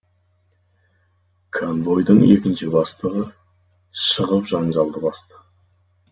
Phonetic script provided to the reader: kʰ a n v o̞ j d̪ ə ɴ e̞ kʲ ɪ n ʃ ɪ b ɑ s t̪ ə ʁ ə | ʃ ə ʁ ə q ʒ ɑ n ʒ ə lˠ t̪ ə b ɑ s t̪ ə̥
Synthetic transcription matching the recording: kʰ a n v o̞ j d̪ ə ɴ e̞ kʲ ɪ n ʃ ɪ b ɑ s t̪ ə ʁ ə | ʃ ə ʁ ə p ʒ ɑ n ʒ ɑ lˠ d̪ ə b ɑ s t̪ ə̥